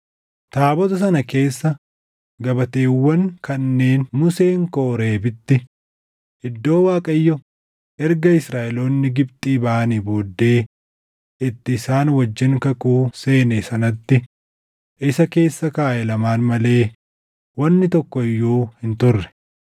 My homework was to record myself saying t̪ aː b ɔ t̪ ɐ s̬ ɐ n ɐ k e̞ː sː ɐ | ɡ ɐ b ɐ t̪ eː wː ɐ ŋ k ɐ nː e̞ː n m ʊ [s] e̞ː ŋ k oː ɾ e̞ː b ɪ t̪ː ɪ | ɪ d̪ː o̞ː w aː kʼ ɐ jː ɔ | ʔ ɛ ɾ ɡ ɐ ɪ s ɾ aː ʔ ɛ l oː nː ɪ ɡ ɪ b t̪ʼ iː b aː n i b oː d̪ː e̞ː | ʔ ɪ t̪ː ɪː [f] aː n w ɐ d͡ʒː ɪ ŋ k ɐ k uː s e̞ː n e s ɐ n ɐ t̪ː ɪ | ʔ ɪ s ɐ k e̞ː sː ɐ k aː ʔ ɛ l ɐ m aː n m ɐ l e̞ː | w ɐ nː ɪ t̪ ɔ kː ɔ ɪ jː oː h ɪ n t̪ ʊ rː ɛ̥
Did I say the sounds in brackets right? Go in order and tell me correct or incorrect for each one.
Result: correct, incorrect: s

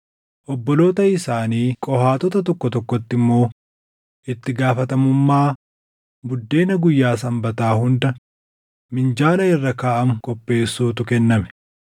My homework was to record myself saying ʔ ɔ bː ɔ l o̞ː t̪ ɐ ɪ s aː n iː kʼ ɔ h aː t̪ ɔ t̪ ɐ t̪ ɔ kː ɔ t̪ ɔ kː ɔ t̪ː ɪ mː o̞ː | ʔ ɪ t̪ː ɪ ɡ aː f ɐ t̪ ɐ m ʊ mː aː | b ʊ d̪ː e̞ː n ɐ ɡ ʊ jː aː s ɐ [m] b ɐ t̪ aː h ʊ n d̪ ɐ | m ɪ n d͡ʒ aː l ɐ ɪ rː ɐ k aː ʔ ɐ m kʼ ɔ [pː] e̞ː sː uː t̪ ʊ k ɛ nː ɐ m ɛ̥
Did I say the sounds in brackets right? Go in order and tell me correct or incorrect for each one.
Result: correct, correct

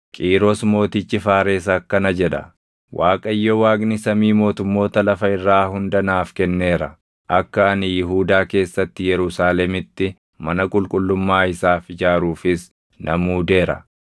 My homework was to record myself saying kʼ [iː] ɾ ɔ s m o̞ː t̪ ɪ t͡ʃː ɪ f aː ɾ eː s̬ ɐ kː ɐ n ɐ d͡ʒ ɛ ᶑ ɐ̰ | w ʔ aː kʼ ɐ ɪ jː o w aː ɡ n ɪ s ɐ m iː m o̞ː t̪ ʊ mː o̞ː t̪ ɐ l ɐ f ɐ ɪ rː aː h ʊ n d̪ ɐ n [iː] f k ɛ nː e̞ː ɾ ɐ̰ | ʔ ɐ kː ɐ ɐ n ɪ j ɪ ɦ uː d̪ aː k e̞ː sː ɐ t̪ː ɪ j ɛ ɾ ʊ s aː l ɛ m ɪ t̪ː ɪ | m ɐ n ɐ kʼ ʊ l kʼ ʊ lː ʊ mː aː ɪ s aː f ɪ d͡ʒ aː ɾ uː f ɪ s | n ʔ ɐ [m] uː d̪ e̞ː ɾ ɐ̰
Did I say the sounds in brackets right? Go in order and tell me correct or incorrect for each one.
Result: correct, incorrect: aː, correct

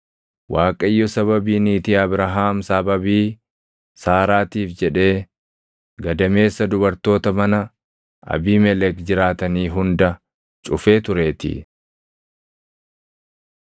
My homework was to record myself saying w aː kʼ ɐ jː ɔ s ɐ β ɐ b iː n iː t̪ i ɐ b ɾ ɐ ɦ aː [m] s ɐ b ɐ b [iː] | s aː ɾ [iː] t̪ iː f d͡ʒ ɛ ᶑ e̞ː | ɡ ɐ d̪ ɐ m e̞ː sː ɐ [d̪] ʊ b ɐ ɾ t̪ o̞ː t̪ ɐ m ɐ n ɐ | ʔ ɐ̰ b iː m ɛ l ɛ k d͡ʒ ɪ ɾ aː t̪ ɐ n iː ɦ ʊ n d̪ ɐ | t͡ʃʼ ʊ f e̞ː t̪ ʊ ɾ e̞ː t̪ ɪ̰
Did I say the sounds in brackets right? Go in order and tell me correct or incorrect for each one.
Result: correct, correct, incorrect: aː, correct

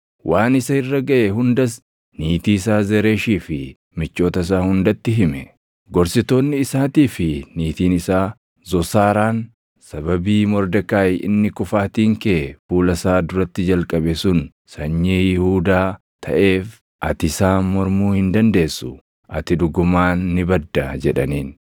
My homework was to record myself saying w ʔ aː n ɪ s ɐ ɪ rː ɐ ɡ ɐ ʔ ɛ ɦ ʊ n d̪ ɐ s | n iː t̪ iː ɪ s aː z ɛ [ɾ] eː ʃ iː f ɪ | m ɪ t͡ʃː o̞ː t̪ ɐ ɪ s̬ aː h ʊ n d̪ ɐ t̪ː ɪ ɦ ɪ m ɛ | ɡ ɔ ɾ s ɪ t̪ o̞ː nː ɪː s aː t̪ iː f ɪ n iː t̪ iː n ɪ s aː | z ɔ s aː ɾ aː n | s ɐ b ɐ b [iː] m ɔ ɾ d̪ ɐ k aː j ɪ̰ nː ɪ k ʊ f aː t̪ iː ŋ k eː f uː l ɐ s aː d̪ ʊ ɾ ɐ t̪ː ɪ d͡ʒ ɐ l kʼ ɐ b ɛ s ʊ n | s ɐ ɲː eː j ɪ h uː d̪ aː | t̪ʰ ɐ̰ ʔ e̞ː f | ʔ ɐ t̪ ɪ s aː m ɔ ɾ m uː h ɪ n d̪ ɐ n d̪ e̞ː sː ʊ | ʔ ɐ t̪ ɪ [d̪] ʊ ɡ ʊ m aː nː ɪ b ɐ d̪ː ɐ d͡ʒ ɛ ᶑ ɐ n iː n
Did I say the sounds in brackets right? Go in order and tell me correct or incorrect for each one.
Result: correct, correct, correct

